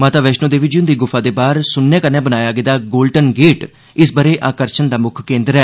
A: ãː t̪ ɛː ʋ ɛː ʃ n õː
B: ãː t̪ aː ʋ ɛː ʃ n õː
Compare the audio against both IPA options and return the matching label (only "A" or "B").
B